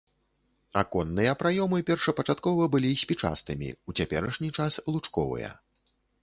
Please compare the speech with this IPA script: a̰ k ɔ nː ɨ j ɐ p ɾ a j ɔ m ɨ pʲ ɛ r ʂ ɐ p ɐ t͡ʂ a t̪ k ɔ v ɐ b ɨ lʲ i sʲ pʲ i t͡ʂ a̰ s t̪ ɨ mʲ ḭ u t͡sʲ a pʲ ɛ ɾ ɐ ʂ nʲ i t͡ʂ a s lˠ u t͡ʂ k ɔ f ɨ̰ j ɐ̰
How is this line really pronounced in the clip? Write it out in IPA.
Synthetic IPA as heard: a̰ k ɔ nː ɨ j ɐ p ɾ a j ɔ m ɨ pʲ ɛ r ʂ ɐ p ɐ t͡ʂ a t̪ k ɔ v ɐ b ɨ lʲ i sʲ pʲ i t͡ʂ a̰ s t̪ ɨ mʲ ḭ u t͡sʲ a pʲ ɛ ɾ ɐ ʂ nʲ i t͡ʂ a s lˠ u t͡ʂ k ɔ v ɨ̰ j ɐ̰